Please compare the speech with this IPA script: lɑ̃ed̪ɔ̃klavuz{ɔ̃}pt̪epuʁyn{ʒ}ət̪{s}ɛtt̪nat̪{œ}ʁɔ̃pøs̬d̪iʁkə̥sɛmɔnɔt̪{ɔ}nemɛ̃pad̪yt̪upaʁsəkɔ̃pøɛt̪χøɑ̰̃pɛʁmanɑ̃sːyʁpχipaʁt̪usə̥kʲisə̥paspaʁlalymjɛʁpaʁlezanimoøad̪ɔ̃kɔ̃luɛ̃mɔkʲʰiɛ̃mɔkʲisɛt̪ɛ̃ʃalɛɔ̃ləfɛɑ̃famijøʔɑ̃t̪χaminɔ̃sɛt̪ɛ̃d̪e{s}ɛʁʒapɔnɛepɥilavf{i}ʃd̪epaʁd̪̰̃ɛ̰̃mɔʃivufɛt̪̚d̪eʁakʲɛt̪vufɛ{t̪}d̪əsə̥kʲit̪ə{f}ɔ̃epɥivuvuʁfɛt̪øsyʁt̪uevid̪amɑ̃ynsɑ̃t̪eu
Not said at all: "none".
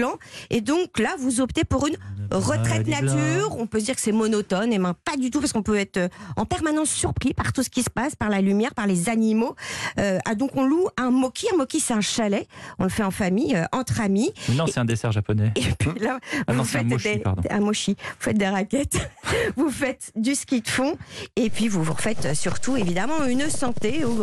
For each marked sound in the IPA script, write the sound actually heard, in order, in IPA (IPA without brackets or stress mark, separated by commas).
ɔ, ʁ, χ, y, ɔ, s, ɛ, t̪, f